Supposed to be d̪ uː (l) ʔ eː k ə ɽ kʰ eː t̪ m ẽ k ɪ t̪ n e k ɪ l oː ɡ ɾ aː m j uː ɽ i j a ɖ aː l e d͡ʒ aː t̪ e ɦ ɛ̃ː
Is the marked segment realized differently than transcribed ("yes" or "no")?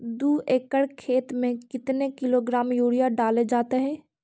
yes